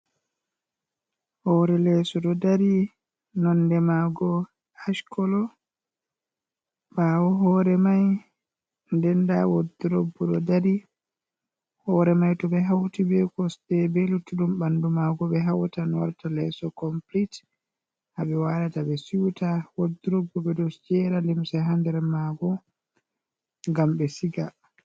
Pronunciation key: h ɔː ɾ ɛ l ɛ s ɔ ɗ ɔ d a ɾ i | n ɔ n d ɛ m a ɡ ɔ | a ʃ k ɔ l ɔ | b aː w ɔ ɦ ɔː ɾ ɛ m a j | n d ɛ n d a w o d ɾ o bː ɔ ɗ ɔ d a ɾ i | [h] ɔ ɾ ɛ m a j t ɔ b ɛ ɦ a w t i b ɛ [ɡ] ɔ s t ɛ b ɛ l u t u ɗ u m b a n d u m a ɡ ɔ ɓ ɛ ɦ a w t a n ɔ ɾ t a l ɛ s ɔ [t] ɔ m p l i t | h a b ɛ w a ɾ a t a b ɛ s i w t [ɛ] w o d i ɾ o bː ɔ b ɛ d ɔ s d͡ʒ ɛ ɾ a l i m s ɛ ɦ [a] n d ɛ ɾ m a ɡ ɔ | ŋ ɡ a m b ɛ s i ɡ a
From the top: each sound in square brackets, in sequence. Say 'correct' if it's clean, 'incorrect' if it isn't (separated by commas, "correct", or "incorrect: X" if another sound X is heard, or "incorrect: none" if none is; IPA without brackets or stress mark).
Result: correct, incorrect: k, incorrect: k, incorrect: a, correct